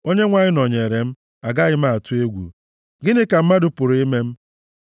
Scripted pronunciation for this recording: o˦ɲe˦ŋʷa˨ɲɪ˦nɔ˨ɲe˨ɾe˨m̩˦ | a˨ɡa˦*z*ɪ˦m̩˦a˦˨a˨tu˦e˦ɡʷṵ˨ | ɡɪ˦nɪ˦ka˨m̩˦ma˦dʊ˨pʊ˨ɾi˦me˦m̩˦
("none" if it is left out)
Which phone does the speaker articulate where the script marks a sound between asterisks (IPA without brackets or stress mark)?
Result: ɣ